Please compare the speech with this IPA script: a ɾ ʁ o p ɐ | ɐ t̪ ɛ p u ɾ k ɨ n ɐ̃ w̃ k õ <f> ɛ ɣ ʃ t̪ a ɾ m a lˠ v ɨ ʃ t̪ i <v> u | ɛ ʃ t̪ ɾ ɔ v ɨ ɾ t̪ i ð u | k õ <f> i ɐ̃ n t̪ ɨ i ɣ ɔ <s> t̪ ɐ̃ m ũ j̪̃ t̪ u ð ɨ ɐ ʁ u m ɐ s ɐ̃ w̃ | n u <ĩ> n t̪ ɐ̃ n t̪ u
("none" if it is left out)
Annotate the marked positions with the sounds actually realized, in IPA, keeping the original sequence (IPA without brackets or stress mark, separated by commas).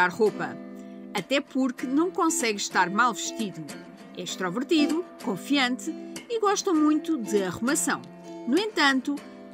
s, ð, f, ʃ, ẽ